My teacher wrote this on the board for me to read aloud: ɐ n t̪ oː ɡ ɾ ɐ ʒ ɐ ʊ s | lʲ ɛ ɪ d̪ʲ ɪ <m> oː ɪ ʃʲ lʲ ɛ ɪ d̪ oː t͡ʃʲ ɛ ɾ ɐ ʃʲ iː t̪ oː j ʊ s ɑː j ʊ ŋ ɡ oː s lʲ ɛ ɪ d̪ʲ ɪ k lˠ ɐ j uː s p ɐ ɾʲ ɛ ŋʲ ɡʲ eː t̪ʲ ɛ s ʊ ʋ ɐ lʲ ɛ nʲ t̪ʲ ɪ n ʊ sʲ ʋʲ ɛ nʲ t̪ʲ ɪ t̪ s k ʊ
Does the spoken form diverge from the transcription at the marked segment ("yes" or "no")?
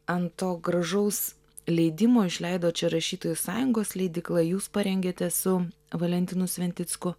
no